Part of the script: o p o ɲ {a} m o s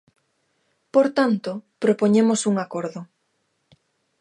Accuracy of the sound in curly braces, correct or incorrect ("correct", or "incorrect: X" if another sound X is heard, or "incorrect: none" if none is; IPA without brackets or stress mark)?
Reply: incorrect: e